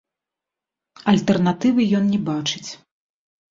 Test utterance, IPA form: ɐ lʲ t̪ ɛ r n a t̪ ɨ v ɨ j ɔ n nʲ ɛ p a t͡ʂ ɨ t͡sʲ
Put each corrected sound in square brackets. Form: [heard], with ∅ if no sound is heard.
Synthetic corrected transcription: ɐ lʲ t̪ ɛ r n a t̪ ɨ v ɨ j ɔ n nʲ ɛ [b] a t͡ʂ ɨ t͡sʲ

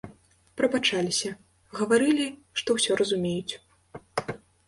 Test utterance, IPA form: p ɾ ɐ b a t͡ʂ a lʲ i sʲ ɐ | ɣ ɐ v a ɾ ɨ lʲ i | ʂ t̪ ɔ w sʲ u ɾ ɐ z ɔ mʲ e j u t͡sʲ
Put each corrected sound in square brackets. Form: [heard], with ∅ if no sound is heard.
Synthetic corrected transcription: p ɾ ɐ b a t͡ʂ a lʲ i sʲ ɐ | ɣ ɐ v a ɾ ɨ lʲ i | ʂ t̪ ɔ w sʲ [ɔ] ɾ ɐ z [u] mʲ e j u t͡sʲ

